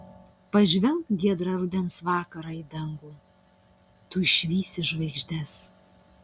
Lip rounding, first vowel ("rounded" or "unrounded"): unrounded